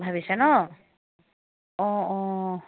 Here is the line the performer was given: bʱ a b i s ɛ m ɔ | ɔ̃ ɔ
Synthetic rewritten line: bʱ a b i s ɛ n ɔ | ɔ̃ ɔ

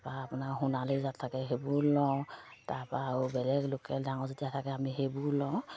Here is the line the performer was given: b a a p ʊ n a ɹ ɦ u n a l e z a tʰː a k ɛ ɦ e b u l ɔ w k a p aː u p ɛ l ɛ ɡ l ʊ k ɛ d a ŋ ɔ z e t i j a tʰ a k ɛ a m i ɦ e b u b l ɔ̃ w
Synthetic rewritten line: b a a p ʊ n a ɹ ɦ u n a l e z a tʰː a k ɛ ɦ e b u l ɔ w t a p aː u b ɛ l ɛ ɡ l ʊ k ɛ d a ŋ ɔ z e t i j a tʰ a k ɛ a m i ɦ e b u l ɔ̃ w

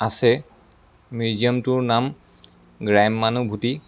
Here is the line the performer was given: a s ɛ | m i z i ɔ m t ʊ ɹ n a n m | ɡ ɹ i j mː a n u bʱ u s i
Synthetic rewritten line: a s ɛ | m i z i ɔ m t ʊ ɹ n a m | ɡ ɹ a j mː a n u bʱ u t i

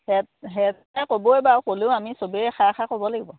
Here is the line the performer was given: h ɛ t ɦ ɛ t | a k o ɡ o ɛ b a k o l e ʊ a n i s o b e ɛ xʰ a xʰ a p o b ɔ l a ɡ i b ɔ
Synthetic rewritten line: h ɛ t ɦ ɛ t | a k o b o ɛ b a k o l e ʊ a m i s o b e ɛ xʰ a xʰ a k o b ɔ l a ɡ i b ɔ

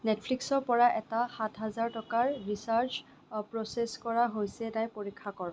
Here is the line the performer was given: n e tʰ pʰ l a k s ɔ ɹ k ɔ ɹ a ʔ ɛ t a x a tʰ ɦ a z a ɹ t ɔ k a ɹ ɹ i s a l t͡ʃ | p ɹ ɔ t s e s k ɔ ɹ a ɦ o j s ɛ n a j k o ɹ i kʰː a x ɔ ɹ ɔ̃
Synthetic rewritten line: n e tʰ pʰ l i k s ɔ ɹ p ɔ ɹ a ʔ ɛ t a x a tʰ ɦ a z a ɹ t ɔ k a ɹ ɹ i s a ɹ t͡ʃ | p ɹ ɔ s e s k ɔ ɹ a ɦ o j s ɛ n a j p o ɹ i kʰː a k ɔ ɹ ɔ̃

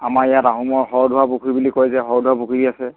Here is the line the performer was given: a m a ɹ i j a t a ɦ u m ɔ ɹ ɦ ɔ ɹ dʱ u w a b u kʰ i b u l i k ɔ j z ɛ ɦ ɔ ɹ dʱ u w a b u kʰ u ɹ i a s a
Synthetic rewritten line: a m a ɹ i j a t a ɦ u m ɔ ɹ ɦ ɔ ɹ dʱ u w a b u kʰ i b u l i k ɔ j z ɛ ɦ ɔ ɹ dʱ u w a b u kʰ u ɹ i a s ɛ

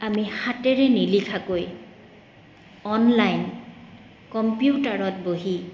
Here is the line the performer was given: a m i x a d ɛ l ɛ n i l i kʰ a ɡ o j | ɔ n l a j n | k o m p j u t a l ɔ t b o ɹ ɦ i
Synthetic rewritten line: a m i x a t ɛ ɹ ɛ n i l i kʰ a k o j | ɔ n l a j n | k ɔ m p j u t a ɹ ɔ t b o ɦ i

